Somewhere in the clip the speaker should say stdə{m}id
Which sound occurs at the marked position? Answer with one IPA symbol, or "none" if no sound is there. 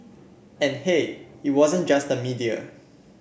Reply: m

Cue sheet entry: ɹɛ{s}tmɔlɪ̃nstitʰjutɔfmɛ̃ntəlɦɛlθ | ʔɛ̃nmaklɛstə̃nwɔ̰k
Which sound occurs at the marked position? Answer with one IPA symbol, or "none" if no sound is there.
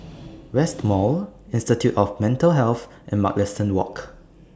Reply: s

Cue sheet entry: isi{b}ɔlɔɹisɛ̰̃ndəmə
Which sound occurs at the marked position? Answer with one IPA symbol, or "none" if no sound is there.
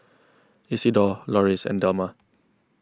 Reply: d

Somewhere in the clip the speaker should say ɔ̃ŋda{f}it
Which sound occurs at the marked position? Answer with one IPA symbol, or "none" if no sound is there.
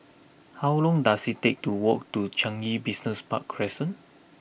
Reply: s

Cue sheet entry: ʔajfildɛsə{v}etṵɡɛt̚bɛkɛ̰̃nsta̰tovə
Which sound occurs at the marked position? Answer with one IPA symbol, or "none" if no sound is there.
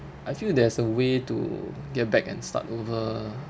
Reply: w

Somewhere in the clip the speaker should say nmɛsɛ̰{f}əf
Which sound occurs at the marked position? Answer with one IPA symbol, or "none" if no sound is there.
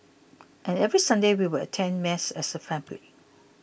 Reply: s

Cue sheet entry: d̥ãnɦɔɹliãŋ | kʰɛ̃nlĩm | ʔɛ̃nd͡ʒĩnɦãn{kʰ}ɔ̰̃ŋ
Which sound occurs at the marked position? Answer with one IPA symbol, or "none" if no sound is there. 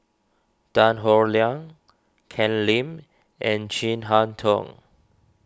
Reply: tʰ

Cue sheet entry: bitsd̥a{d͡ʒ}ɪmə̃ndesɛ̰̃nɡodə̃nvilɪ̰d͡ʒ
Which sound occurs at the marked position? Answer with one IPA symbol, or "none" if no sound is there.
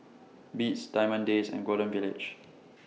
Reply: none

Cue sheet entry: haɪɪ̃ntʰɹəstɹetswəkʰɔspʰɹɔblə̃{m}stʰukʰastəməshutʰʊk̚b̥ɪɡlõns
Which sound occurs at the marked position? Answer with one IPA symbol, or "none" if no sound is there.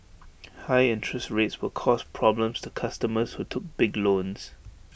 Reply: m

